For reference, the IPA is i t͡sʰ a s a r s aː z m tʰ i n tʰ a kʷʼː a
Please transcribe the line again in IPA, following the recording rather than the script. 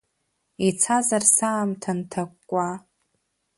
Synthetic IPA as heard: i t͡sʰ a z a r s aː m tʰ a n tʰ a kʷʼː a